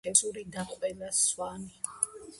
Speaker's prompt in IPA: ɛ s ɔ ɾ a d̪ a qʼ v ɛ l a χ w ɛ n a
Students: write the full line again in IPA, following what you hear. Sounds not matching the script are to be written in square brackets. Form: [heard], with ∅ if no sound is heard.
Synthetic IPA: ɛ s [u] ɾ [i] d̪ a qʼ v ɛ l a [s] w [a] n [i]